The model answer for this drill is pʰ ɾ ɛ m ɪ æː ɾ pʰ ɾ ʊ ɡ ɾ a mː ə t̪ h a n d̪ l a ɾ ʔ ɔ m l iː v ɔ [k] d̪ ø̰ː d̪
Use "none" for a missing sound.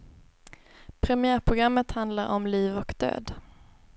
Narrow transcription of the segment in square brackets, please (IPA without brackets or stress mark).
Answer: k